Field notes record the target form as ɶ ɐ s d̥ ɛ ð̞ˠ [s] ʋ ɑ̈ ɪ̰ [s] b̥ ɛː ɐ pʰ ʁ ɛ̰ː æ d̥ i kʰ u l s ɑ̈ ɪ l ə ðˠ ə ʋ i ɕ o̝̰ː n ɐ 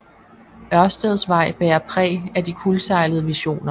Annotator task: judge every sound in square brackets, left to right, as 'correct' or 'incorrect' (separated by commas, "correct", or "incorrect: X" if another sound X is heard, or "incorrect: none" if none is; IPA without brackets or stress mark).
correct, incorrect: none